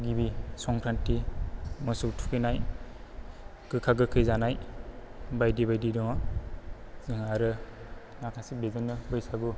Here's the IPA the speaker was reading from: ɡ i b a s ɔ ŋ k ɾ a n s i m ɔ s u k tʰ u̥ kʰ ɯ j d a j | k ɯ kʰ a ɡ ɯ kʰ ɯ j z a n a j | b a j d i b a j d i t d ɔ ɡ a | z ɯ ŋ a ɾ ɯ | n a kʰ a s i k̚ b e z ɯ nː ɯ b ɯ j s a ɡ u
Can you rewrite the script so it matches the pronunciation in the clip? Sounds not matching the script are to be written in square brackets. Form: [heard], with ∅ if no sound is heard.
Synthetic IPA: ɡ i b [i] s ɔ ŋ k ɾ a n [t] i m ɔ s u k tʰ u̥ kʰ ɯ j [n] a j | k ɯ kʰ a ɡ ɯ kʰ ɯ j z a n a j | b a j d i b a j d i [∅] d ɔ [ŋ] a | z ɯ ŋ a ɾ ɯ | n a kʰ a s i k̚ b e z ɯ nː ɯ b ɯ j s a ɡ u

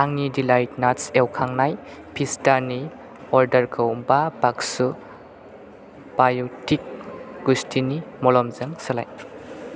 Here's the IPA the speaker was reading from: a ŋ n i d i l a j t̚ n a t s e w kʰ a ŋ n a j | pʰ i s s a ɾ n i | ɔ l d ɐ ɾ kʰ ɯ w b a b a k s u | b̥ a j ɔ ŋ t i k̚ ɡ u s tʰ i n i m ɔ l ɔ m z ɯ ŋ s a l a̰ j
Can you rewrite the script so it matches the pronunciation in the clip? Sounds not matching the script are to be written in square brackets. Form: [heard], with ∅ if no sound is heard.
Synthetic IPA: a ŋ n i d i l a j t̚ n a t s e w kʰ a ŋ n a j | pʰ i s [t] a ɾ n i | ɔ [ɾ] d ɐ ɾ kʰ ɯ w b a b a k s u | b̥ a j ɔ [∅] t i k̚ ɡ u s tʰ i n i m ɔ l ɔ m z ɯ ŋ s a l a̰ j

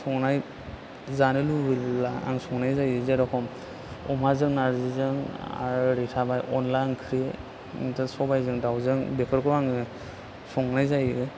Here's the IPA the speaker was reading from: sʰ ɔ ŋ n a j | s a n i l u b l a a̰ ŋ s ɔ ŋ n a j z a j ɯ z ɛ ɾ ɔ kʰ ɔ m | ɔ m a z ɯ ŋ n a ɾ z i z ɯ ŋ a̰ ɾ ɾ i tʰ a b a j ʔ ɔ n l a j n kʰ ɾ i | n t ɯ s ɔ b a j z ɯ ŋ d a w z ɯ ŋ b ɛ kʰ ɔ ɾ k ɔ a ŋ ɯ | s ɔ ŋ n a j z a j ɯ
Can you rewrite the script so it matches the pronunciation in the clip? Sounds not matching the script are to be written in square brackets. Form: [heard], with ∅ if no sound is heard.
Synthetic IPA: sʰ ɔ ŋ n a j | [z] a n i l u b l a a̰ ŋ s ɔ ŋ n a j z a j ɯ z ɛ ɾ ɔ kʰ ɔ m | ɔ m a z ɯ ŋ n a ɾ z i z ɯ ŋ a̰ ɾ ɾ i tʰ a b a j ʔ ɔ n l a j n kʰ ɾ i | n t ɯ s ɔ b a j z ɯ ŋ d a w z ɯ ŋ b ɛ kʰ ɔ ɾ k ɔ a ŋ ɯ | s ɔ ŋ n a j z a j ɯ

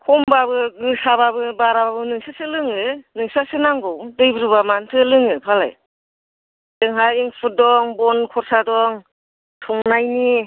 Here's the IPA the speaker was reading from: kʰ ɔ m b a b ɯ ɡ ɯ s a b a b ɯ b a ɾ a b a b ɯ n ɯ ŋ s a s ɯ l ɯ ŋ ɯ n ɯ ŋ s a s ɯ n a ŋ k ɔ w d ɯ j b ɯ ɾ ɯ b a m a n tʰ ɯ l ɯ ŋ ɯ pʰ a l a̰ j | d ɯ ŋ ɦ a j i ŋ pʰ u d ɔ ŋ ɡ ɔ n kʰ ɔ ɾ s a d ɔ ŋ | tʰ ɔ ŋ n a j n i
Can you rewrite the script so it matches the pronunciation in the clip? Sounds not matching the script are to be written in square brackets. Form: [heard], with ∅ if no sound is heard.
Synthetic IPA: kʰ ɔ m b a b ɯ ɡ ɯ s a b a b ɯ b a ɾ a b a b ɯ n ɯ ŋ s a s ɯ l ɯ ŋ ɯ n ɯ ŋ s a s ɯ n a ŋ [ɡ] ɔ w d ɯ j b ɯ ɾ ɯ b a m a n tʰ ɯ l ɯ ŋ ɯ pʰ a l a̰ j | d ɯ ŋ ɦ a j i ŋ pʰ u d ɔ ŋ [b] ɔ n kʰ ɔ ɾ s a d ɔ ŋ | tʰ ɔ ŋ n a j n i

